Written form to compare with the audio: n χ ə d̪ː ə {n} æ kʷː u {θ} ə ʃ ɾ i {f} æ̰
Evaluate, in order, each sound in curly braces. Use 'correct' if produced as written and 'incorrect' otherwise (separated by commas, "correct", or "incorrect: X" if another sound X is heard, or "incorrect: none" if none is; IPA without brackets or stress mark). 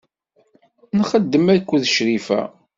incorrect: m, incorrect: ð, correct